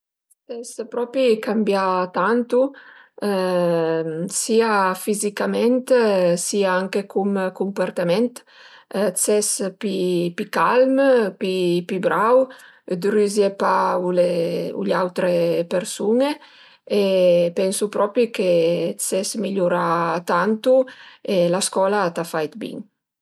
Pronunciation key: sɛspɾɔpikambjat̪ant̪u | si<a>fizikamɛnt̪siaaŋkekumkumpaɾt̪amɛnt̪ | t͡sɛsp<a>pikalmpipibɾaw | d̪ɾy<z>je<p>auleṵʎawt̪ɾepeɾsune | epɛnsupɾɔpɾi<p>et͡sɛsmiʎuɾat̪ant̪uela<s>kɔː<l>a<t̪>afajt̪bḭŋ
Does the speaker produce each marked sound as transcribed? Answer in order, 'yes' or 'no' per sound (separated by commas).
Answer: yes, no, yes, yes, no, yes, yes, yes